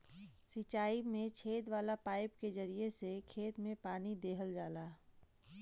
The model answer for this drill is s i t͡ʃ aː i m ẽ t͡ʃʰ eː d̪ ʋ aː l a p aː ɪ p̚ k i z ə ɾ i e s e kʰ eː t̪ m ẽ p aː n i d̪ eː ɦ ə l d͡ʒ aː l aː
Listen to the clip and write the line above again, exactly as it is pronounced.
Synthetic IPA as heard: s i t͡ʃ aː i m ẽ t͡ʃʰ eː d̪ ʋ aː l a p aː ɪ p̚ k e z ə ɾ i e s e kʰ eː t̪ m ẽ p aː n i d̪ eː ɦ ə l d͡ʒ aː l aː